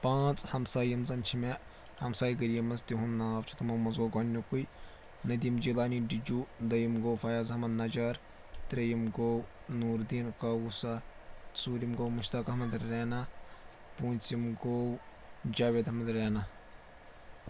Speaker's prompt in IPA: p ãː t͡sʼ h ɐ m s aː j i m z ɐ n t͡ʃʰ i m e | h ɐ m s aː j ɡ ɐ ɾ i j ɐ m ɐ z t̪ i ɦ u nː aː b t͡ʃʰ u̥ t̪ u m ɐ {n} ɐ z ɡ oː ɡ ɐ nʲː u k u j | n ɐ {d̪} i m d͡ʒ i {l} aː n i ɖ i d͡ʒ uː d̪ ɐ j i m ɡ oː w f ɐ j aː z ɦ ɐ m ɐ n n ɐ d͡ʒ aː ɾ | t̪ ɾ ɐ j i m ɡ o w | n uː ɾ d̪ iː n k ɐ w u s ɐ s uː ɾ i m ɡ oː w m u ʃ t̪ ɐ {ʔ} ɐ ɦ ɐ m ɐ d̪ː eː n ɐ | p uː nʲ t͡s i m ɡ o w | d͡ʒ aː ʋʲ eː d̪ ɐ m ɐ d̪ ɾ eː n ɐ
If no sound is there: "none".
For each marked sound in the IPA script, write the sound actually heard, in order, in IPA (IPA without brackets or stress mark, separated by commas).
m, d̪, l, k